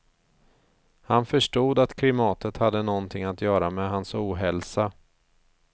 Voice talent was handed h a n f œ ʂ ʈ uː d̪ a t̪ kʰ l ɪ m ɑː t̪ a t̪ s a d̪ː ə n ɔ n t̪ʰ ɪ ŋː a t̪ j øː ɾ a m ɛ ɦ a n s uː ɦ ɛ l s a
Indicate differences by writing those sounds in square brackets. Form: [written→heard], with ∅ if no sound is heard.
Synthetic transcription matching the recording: h a n f œ ʂ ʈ uː d̪ a t̪ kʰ l ɪ m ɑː t̪ [a→ə] t̪ [s→h] a d̪ː ə n ɔ n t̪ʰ ɪ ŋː a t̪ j [øː→œː] ɾ a m ɛ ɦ a n s uː ɦ ɛ l s a